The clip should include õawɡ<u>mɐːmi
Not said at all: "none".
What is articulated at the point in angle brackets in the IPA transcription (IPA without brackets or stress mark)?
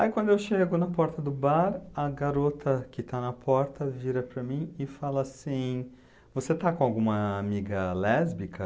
ũ